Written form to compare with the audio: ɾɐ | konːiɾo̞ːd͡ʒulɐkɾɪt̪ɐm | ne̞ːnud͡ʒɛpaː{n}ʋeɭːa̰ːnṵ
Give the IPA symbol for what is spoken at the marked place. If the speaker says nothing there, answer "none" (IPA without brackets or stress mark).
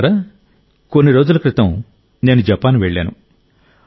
n